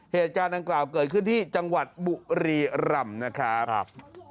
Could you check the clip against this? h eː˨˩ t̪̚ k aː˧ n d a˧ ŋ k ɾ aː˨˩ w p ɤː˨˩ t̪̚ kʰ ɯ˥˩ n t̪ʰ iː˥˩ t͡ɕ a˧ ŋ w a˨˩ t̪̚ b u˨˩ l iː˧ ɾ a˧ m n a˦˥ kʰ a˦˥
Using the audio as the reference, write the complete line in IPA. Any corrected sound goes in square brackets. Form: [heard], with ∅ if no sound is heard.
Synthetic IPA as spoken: h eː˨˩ t̪̚ k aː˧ n d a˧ ŋ k [l] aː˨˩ w [k] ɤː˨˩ t̪̚ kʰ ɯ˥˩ n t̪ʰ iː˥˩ t͡ɕ a˧ ŋ w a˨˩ t̪̚ b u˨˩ [ɾ] iː˧ ɾ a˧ m n a˦˥ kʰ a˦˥